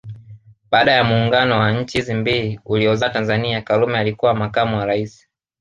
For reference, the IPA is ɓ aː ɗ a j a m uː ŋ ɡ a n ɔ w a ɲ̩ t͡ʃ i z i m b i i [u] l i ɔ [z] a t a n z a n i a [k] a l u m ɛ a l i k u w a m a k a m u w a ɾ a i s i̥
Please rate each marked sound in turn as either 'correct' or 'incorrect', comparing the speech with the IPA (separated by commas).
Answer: correct, correct, correct